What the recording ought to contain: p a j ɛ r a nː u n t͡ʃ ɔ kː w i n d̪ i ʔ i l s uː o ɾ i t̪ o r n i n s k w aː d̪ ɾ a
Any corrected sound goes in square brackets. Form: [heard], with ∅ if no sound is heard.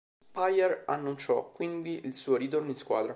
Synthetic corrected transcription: p a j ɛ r a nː u n t͡ʃ ɔ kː w i n d̪ i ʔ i l s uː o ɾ i t̪ o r n i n s k w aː d̪ ɾ a